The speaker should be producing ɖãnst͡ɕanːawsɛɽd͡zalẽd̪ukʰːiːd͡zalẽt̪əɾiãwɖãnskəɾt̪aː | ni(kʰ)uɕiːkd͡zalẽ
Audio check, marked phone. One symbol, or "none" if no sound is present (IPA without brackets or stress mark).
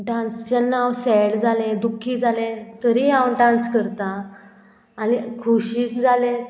kʰ